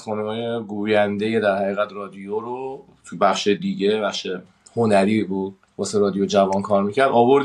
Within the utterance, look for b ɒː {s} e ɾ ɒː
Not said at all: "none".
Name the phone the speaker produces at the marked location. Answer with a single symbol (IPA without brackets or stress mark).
s